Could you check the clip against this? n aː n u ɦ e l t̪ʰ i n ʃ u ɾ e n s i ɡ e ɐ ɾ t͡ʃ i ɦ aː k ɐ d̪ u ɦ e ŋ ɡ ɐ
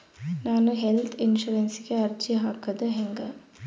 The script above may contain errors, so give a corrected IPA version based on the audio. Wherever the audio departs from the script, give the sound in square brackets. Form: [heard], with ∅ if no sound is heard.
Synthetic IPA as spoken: n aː n u ɦ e l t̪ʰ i n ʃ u ɾ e n s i ɡ e ɐ ɾ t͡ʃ i ɦ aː k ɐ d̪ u ɦ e ŋ ɡ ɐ